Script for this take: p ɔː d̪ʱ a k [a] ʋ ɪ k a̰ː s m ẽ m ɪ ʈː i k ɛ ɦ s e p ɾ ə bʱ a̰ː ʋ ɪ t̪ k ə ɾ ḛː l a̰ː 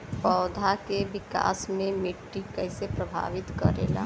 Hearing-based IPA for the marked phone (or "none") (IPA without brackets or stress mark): e